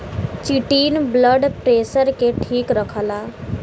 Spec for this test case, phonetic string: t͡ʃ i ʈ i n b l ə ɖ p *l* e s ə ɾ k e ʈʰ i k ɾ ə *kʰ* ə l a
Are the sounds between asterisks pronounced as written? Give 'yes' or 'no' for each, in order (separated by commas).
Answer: no, yes